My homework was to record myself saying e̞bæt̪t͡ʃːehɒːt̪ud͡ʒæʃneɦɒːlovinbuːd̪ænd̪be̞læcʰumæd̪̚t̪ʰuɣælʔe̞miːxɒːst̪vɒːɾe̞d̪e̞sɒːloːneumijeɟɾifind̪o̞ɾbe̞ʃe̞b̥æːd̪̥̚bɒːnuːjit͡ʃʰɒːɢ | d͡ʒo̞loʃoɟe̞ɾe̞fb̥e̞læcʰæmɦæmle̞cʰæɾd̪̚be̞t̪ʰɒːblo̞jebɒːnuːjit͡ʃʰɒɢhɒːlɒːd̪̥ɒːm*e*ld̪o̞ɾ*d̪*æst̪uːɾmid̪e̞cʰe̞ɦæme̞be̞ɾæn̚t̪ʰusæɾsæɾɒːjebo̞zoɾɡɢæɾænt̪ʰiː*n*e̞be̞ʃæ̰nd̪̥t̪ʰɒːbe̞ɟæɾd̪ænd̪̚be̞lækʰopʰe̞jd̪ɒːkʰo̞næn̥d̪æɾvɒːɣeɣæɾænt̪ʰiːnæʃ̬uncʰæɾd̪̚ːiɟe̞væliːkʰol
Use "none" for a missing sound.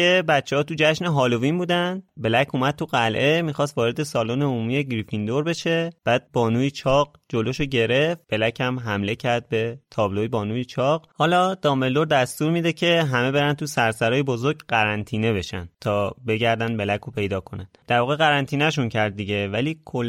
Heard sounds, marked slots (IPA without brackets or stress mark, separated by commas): e, d̪, n